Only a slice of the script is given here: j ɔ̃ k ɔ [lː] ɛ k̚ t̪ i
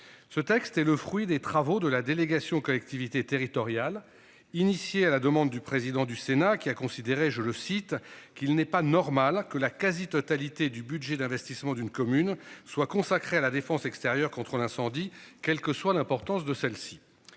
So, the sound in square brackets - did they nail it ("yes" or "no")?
no